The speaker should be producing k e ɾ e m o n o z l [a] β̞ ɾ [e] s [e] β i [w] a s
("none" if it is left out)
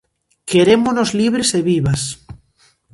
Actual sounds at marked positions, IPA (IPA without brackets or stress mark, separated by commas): i, e, e, β